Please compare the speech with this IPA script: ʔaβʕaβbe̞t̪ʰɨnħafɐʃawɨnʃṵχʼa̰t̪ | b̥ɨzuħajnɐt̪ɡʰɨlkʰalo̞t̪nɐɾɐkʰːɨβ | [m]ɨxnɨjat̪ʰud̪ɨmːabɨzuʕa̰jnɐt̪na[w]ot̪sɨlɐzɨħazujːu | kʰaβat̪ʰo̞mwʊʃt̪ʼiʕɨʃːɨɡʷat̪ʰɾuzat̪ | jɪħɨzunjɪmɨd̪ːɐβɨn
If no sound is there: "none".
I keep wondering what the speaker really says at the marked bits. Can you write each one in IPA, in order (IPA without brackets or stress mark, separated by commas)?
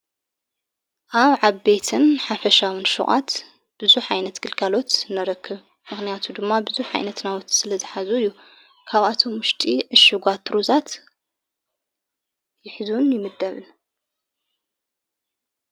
m, w